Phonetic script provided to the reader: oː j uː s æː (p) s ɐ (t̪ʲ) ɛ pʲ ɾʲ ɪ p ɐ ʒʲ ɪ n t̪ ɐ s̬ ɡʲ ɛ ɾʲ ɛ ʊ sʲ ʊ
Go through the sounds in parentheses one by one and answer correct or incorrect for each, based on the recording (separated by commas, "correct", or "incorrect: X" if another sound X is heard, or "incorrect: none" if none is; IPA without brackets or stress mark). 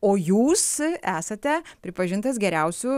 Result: incorrect: none, correct